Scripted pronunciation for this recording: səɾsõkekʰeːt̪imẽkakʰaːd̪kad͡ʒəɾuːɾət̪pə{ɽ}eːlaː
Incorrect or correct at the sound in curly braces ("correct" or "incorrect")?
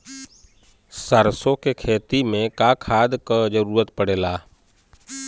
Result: correct